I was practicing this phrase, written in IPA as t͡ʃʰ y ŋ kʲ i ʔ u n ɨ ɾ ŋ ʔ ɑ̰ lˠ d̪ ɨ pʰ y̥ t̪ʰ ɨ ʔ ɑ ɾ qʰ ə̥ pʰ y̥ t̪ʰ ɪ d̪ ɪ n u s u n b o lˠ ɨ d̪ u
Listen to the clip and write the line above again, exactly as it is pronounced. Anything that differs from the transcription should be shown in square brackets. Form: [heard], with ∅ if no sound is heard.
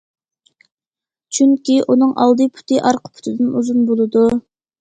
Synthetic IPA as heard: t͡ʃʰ y ŋ kʲ i ʔ u n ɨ [∅] ŋ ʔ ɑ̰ lˠ d̪ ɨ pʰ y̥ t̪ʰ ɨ ʔ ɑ ɾ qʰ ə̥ pʰ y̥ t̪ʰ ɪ d̪ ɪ n u [z] u n b o lˠ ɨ d̪ u